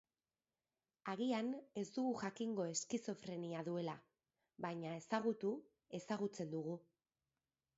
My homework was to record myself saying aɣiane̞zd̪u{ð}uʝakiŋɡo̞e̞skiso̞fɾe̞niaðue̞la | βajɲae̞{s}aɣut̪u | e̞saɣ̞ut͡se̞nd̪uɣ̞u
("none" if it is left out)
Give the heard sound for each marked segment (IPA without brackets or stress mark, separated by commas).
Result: ɣ, s